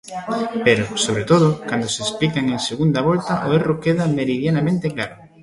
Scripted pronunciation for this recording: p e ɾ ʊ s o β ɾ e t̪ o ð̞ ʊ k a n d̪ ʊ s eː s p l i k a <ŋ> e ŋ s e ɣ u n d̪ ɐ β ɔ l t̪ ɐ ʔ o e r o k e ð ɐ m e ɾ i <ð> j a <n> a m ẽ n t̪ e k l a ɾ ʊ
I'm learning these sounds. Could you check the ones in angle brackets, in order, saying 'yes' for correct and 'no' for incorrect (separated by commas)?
yes, yes, yes